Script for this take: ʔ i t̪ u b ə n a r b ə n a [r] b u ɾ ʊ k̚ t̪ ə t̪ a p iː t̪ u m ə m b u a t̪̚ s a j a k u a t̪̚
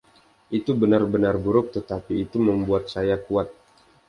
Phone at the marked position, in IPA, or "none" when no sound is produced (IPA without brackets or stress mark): r